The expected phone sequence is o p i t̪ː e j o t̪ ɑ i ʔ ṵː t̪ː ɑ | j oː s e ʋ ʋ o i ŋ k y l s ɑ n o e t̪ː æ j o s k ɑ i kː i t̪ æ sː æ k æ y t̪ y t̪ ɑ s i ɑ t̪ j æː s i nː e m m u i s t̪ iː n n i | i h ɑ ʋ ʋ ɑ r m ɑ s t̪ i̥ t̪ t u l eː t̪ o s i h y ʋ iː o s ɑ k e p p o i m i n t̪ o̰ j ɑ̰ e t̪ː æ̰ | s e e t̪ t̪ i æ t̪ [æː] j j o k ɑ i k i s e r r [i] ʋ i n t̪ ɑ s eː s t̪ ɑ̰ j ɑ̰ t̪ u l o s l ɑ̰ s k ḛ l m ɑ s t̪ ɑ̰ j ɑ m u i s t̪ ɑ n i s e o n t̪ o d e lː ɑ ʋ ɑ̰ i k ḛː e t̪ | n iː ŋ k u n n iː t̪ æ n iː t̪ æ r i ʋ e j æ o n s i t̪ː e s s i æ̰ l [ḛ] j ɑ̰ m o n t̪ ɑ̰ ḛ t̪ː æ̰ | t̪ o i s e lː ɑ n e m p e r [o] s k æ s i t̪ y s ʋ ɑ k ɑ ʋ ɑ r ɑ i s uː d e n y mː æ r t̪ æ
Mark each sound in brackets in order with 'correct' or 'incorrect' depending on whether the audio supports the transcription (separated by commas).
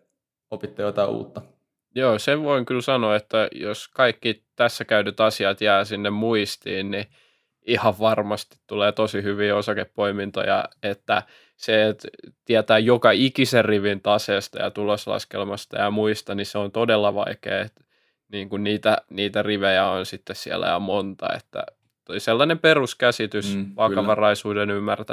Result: correct, correct, incorrect, incorrect